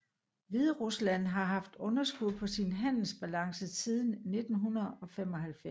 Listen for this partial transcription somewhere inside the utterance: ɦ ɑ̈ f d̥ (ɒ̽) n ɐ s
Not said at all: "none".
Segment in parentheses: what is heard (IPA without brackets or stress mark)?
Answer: ɔ̽